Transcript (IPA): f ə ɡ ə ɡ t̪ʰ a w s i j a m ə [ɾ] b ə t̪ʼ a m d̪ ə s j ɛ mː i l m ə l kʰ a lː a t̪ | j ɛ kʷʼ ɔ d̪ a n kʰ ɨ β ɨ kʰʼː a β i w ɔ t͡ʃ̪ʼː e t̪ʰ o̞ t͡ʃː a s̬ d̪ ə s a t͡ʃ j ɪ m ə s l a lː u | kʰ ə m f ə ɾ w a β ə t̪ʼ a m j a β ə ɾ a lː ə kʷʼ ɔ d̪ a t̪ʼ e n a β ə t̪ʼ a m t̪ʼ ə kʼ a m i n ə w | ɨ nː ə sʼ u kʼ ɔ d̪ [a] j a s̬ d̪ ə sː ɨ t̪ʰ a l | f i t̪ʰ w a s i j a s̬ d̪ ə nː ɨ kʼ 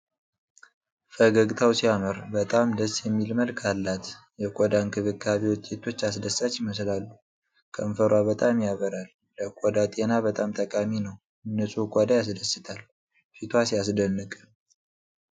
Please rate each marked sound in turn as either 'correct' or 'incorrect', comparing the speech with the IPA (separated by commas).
correct, correct